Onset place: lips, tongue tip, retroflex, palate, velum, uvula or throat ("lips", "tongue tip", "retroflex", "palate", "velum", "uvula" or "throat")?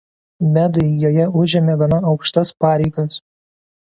lips